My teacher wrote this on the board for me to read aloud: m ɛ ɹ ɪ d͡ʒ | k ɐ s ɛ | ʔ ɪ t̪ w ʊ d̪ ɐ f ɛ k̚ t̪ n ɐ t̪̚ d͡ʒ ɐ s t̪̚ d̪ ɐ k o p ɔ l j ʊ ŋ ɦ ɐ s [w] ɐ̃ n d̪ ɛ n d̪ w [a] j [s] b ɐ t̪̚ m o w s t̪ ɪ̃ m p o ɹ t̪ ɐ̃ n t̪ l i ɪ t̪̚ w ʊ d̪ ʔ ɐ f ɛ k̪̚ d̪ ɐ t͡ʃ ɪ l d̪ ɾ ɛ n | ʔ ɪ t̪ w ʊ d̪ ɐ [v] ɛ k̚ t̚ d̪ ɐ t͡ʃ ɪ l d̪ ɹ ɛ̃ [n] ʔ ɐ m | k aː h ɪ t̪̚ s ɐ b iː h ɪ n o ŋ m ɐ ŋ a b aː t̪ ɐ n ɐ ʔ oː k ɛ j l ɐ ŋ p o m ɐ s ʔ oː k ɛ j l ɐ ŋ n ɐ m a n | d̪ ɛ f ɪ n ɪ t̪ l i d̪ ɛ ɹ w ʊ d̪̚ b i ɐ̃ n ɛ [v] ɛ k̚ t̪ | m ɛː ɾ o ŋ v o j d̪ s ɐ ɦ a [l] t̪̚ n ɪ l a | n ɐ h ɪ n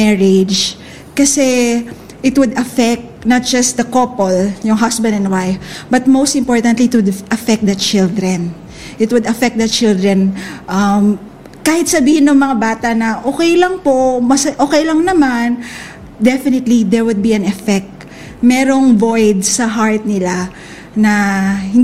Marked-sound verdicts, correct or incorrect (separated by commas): incorrect, correct, incorrect, incorrect, correct, incorrect, incorrect